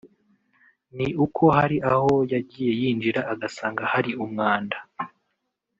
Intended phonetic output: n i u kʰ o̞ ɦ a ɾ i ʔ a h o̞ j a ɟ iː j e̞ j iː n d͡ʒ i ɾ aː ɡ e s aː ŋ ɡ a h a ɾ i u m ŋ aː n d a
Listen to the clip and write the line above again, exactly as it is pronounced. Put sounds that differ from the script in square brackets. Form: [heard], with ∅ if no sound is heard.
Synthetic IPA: n i u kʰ o̞ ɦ a ɾ i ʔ a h o̞ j a ɟ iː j e̞ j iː n d͡ʒ i ɾ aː ɡ [a] s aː ŋ ɡ a h a ɾ i u m ŋ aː n d a